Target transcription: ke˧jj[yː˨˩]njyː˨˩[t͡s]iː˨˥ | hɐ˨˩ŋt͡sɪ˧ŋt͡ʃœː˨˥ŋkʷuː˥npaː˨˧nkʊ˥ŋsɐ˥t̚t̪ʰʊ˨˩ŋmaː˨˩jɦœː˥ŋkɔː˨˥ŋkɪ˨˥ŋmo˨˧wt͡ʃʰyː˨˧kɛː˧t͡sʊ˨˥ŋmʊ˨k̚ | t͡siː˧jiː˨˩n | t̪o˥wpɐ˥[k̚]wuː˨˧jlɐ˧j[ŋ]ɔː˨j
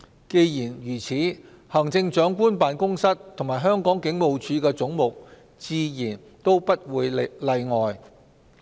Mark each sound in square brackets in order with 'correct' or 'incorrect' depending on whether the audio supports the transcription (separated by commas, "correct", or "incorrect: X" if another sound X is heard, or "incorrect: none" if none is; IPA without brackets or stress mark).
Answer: incorrect: iː˨˩, incorrect: t͡sʰ, incorrect: t̚, correct